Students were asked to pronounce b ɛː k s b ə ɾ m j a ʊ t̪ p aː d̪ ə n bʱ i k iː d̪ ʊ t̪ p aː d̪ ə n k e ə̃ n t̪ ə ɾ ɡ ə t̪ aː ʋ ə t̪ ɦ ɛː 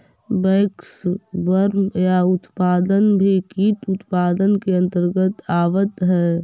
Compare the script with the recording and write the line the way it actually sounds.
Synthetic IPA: b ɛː k s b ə ɾ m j a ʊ t̪ p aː d̪ ə n bʱ i k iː t̪ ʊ t̪ p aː d̪ ə n k e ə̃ n t̪ ə ɾ ɡ ə t̪ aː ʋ ə t̪ ɦ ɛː